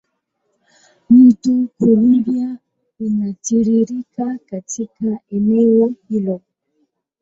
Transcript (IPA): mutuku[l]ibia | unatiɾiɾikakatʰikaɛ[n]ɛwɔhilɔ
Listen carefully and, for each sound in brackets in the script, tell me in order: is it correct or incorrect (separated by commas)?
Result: correct, correct